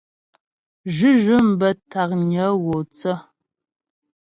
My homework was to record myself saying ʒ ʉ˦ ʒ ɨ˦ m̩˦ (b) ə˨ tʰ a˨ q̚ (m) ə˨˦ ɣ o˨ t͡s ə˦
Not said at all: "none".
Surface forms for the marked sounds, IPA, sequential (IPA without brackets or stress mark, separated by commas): b, ɲ